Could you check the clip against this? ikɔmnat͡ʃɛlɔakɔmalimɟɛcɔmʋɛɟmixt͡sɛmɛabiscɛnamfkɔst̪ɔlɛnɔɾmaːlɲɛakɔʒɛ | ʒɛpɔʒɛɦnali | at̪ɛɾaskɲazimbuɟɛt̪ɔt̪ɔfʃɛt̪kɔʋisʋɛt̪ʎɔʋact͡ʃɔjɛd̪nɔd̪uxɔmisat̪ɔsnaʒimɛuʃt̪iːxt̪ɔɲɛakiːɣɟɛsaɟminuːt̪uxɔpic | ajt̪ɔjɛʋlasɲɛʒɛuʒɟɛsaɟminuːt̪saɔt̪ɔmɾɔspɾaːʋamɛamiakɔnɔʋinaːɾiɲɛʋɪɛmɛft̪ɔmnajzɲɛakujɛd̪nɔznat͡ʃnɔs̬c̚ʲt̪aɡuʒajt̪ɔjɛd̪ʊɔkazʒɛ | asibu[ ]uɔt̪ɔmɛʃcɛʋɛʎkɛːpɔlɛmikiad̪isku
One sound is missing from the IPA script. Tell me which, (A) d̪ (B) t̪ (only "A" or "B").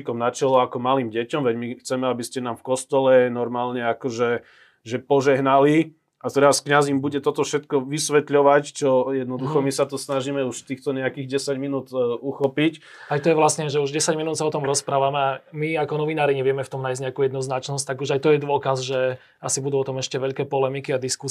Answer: A